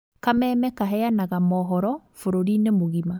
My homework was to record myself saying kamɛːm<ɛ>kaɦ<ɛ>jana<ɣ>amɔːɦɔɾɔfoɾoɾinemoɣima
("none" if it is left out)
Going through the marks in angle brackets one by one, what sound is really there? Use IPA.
ɛ, ɛ, ɣ

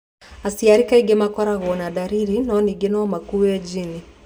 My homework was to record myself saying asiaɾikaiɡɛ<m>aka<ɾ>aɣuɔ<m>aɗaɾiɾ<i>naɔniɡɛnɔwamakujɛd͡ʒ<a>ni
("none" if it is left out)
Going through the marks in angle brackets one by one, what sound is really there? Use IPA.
m, ɾ, n, i, i

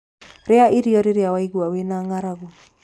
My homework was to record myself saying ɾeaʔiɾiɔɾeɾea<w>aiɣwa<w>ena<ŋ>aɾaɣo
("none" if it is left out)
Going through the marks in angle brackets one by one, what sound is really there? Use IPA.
w, w, ŋ

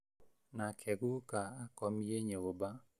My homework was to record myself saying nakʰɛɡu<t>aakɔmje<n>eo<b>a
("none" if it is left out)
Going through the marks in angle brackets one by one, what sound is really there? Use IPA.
k, ɲ, b

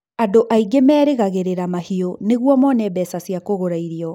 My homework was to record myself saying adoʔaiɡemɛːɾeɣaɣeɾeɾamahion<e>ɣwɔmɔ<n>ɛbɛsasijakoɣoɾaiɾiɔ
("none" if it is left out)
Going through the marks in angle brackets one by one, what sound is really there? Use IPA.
e, n

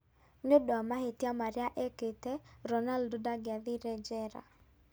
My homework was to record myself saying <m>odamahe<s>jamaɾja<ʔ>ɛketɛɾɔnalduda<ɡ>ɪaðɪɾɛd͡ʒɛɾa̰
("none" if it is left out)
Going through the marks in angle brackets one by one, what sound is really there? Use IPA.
ɲ, t, ʔ, ɡ

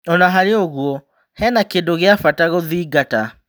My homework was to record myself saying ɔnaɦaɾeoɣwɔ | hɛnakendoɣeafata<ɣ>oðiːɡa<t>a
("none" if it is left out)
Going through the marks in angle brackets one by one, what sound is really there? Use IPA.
ɣ, t

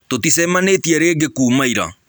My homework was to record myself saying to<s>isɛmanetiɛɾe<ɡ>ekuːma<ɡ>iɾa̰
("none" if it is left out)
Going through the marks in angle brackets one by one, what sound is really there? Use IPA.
t, ɡ, none

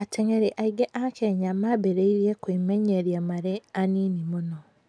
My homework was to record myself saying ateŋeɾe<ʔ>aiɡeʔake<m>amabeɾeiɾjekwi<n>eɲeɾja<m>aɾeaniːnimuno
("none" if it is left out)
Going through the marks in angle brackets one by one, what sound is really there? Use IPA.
ʔ, ɲ, m, m

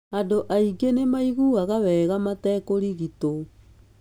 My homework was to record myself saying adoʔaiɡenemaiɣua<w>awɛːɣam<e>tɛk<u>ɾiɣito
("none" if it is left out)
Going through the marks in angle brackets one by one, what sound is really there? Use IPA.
ɣ, a, o

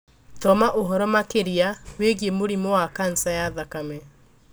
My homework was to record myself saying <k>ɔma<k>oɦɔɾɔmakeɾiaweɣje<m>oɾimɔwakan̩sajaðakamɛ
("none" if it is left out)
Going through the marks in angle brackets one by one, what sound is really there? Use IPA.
t, ʔ, m

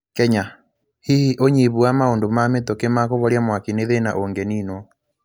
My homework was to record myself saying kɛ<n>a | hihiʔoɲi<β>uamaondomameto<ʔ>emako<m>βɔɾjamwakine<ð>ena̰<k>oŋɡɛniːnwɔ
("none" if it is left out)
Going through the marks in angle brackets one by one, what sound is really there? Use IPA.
ɲ, β, k, none, ð, ʔ

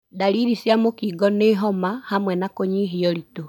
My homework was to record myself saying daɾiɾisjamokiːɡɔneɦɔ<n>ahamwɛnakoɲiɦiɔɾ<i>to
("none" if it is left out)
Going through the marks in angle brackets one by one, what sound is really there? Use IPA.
m, i

